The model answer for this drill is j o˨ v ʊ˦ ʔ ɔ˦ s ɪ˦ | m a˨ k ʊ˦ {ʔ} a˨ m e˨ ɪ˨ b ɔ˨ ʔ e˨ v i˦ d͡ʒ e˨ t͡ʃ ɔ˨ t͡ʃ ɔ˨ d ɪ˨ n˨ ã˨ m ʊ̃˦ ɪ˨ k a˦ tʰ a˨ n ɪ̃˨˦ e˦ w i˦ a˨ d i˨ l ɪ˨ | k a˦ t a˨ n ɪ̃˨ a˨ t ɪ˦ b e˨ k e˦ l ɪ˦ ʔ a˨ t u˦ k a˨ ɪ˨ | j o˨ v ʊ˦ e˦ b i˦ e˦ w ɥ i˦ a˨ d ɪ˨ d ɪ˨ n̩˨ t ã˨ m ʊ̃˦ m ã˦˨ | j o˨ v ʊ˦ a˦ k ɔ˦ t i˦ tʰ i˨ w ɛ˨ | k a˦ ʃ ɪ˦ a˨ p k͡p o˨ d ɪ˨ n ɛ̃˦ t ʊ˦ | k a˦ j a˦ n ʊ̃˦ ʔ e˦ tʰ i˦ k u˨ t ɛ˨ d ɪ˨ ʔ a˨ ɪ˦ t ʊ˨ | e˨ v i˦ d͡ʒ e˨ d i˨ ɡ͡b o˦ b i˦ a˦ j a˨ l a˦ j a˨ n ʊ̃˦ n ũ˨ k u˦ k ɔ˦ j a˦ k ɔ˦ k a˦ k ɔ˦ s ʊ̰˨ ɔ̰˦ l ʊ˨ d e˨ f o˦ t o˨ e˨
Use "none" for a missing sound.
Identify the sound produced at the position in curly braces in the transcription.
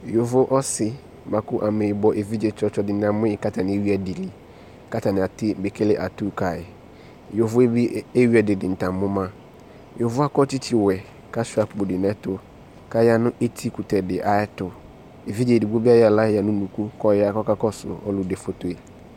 ʔ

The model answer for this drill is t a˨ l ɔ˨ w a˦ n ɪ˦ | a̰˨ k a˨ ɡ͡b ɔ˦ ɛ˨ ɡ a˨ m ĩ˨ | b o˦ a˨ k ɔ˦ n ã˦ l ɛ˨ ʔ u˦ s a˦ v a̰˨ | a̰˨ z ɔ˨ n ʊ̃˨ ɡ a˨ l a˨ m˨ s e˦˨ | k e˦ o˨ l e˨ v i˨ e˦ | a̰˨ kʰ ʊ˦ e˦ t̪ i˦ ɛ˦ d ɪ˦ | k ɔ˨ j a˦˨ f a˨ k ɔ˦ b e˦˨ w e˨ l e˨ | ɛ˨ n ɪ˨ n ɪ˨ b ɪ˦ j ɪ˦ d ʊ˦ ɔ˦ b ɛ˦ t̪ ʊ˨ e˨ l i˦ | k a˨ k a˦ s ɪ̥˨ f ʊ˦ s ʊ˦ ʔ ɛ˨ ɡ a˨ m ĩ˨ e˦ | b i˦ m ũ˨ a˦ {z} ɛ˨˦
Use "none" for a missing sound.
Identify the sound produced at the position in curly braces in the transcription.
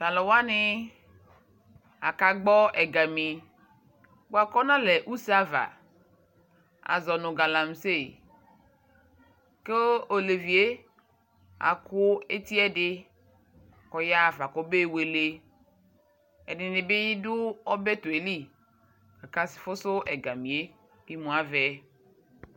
v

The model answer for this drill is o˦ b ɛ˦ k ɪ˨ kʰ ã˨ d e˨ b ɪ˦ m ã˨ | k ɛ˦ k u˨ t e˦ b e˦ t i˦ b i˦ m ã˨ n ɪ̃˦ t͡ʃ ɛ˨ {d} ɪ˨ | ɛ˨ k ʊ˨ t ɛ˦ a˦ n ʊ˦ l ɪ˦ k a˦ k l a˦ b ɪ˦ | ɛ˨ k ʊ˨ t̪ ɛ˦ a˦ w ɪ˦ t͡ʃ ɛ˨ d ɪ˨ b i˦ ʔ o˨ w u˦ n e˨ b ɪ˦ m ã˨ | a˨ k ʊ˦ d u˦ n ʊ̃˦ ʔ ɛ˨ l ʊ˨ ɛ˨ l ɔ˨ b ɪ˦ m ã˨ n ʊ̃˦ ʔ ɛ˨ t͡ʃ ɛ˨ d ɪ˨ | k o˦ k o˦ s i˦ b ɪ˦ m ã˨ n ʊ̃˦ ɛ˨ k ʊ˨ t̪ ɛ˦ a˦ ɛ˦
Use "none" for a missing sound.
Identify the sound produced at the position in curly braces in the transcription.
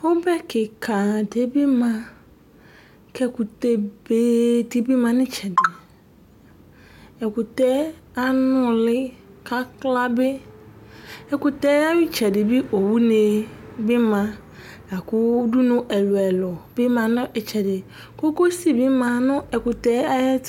d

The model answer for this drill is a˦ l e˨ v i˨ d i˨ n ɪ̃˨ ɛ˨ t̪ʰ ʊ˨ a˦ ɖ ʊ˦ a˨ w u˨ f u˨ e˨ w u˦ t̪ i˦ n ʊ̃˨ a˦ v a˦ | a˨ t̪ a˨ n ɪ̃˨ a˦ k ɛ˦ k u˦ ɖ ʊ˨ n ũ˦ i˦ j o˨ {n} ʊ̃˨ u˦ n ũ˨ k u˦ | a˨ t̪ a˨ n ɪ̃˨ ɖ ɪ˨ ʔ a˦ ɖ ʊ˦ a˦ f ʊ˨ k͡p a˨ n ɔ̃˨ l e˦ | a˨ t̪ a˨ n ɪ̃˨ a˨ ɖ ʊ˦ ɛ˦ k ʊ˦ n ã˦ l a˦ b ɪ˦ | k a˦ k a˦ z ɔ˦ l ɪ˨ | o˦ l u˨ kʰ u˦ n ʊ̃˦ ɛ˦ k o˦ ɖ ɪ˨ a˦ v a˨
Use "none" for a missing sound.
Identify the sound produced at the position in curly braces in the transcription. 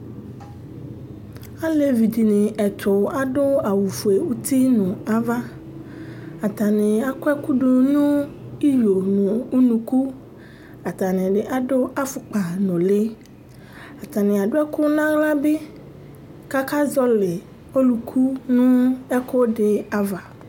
n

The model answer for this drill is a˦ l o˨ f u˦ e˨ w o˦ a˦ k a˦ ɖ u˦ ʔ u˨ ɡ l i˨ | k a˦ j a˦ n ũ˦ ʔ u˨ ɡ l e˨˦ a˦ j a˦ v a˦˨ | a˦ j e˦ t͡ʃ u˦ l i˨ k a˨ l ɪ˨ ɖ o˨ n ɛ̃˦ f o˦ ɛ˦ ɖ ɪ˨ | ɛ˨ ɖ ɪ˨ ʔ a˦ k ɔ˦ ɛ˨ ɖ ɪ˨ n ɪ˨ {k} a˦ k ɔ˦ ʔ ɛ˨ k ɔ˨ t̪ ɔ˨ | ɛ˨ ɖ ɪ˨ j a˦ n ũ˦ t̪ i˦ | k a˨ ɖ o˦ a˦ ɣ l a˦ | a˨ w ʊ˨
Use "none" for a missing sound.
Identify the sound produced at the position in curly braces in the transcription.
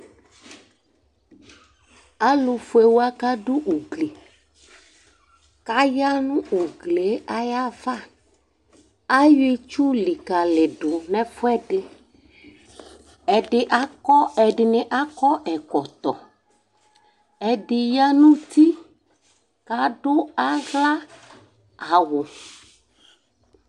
ʔ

